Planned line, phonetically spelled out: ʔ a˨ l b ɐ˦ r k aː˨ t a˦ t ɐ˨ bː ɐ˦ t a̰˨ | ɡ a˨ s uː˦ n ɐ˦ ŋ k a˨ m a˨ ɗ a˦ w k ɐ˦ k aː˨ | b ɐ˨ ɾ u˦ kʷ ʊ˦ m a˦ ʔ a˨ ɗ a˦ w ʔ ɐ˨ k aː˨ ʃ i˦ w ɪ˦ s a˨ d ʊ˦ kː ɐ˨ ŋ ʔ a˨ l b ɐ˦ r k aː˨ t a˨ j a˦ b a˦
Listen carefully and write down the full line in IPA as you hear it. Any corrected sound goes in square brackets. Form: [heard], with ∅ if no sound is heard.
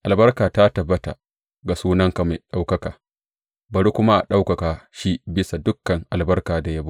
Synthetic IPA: ʔ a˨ l b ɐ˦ r k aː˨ t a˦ t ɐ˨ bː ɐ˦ t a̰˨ | ɡ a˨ s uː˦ n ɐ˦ ŋ k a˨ m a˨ ɗ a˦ w k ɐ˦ k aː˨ | b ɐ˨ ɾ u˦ kʷ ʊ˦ m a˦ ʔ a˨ ɗ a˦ w [k] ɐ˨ k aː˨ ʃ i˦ [b] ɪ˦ s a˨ d ʊ˦ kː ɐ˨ ŋ ʔ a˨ l b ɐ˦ r k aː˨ [d] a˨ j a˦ b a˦